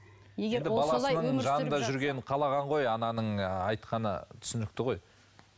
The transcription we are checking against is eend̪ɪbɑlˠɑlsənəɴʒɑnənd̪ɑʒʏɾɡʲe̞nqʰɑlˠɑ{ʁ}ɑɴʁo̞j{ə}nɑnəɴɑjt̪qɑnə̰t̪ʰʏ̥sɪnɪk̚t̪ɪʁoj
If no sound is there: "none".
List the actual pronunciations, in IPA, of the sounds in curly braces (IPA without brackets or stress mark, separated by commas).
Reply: ʁ, ɑ